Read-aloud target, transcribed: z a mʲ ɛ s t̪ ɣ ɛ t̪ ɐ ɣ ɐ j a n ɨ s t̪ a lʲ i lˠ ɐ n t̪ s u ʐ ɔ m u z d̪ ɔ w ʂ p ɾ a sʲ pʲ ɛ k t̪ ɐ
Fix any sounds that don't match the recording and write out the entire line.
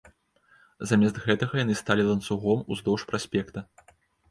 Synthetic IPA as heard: z a mʲ ɛ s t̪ ɣ ɛ t̪ ɐ ɣ ɐ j a n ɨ s t̪ a lʲ i lˠ ɐ n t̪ s u ɣ ɔ m u z d̪ ɔ w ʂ p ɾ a sʲ pʲ ɛ k t̪ ɐ